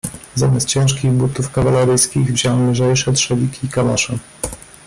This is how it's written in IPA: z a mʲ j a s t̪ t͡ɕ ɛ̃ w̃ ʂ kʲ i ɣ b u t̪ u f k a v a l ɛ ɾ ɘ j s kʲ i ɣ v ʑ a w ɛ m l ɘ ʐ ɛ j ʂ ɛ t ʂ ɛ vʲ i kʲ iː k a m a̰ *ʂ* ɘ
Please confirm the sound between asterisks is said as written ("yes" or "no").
yes